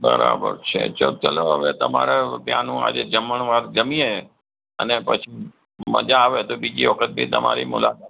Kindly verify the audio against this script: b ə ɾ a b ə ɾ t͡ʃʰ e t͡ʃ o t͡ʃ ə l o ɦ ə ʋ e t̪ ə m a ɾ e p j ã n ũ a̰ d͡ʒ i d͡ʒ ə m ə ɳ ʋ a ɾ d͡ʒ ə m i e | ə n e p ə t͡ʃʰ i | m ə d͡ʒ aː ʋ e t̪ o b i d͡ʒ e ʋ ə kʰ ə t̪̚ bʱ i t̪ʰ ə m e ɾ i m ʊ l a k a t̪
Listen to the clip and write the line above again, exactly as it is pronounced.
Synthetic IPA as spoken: b ə ɾ a b ə ɾ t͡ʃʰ e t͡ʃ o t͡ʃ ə l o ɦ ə ʋ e t̪ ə m a ɾ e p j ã n ũ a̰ d͡ʒ e d͡ʒ ə m ə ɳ ʋ a ɾ d͡ʒ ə m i e | ə n e p ə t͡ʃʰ i | m ə d͡ʒ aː ʋ e t̪ o b i d͡ʒ i ʋ ə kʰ ə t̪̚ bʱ i t̪ ə m a ɾ i m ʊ l a k a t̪